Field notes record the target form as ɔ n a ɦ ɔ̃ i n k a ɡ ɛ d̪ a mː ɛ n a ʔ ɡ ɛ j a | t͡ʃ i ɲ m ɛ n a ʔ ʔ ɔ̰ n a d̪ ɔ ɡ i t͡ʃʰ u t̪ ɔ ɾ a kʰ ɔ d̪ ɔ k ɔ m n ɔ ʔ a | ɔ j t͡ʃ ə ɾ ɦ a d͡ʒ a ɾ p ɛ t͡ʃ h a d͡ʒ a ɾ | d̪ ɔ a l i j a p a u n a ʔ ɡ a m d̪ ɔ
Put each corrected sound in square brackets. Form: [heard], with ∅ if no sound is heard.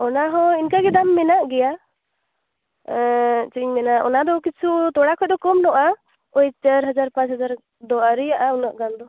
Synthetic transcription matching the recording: ɔ n a ɦ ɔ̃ i n k a ɡ ɛ d̪ a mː ɛ n a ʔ ɡ ɛ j a | t͡ʃ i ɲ m ɛ n a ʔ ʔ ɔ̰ n a d̪ ɔ [k] i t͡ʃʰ u t̪ ɔ [ɽ] a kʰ ɔ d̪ ɔ k ɔ m n ɔ ʔ a | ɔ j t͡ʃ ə ɾ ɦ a d͡ʒ a ɾ p [a] t͡ʃ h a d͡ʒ a ɾ | d̪ ɔ a [ɾ] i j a [ʔ] a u n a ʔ ɡ a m d̪ ɔ